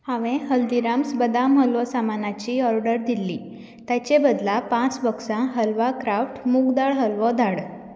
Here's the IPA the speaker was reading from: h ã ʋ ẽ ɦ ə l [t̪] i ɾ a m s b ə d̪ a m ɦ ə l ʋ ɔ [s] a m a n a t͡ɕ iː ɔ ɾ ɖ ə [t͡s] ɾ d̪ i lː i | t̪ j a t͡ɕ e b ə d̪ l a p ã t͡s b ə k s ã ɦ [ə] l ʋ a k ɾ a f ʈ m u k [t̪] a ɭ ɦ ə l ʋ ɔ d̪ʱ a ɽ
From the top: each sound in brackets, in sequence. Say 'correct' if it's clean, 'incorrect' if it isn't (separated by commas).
incorrect, correct, incorrect, correct, incorrect